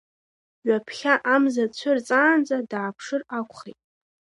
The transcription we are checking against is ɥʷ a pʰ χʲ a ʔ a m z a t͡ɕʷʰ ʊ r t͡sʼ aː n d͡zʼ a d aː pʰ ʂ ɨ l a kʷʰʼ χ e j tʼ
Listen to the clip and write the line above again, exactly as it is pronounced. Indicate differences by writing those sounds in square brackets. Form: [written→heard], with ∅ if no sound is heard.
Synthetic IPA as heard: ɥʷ a pʰ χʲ a ʔ a m z a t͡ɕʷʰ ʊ r t͡sʼ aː n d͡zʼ a d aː pʰ ʂ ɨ [l→r] a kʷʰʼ χ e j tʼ